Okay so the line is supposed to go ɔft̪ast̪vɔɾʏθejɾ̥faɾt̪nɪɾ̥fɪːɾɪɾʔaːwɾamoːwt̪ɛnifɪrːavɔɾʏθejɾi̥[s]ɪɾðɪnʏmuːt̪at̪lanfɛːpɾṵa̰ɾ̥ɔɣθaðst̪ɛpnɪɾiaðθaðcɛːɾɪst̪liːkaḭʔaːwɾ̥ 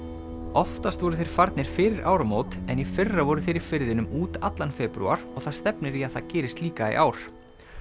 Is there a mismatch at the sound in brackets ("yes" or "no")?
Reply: yes